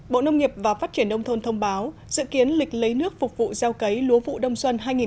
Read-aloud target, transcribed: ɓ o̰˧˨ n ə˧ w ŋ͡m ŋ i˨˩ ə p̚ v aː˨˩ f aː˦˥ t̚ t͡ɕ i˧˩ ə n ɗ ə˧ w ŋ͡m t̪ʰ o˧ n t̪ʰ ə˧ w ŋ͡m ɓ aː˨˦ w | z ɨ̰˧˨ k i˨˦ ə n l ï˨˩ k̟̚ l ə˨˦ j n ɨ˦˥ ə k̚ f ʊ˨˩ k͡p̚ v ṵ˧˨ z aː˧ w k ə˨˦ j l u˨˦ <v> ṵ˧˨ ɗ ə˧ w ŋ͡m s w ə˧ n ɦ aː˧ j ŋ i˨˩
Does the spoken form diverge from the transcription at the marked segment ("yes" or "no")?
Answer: no